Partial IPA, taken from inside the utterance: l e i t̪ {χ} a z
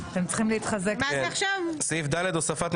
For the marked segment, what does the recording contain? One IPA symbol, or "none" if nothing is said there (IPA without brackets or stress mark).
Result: χ